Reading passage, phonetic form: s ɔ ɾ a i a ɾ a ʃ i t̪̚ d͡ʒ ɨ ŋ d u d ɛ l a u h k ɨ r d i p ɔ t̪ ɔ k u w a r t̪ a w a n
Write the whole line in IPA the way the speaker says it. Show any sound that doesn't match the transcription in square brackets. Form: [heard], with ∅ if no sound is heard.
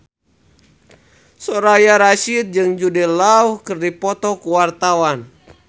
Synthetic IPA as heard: s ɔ ɾ a [j] a ɾ a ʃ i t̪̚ d͡ʒ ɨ ŋ [d͡ʒ] u d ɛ l a u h k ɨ r d i p ɔ t̪ ɔ k u w a r t̪ a w a n